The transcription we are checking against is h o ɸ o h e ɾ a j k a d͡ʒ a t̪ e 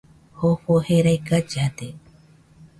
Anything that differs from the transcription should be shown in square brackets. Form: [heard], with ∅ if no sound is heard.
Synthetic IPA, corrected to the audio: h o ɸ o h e ɾ a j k a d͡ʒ a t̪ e